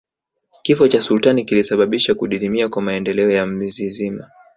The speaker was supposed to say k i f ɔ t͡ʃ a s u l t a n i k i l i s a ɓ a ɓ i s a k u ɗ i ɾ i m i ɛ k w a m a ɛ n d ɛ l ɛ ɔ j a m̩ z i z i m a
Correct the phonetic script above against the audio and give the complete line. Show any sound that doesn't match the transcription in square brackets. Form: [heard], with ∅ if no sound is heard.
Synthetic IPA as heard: k i f ɔ t͡ʃ a s u l t a n i k i l i s a ɓ a ɓ i [ʃ] a k u ɗ i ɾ i m i [a] k w a m a ɛ n d ɛ l ɛ ɔ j a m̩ z i z i m a